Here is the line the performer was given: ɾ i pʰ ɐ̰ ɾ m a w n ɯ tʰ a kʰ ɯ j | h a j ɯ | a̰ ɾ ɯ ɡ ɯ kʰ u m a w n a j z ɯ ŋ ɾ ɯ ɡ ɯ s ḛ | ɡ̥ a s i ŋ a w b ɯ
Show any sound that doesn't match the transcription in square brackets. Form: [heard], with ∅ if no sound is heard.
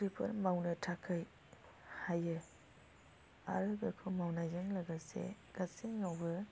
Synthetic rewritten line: ɾ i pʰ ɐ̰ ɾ m a w n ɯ tʰ a kʰ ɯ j | h a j ɯ | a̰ ɾ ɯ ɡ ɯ kʰ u m a w n a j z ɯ ŋ [l] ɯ ɡ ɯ s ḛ | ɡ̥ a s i ŋ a w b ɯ